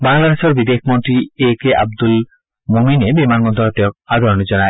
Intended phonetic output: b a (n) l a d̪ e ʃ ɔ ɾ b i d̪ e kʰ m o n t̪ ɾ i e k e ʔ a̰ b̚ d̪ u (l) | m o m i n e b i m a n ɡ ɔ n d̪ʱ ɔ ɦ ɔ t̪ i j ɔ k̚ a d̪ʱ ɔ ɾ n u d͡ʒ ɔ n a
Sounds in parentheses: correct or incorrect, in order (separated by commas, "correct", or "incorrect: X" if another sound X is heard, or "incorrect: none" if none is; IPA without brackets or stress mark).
incorrect: ŋ, correct